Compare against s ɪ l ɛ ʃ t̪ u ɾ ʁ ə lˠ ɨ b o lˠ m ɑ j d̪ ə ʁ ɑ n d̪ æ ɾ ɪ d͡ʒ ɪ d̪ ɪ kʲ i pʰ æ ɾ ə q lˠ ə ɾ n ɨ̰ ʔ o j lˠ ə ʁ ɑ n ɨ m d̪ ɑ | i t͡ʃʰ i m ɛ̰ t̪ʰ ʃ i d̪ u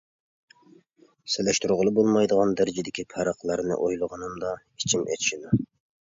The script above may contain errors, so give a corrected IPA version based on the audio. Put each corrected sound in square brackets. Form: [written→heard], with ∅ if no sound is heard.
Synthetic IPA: s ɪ l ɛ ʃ t̪ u ɾ ʁ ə lˠ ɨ b o lˠ m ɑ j d̪ ə ʁ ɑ n d̪ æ ɾ ɪ d͡ʒ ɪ d̪ ɪ kʲ i pʰ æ ɾ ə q lˠ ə ɾ n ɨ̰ ʔ o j lˠ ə ʁ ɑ n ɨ m d̪ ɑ | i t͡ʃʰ i m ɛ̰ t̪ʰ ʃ i d̪ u